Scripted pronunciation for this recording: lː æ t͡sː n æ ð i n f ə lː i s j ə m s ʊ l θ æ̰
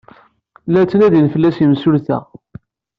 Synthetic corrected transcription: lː æ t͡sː n æ ð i n f ə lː æ s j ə m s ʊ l θ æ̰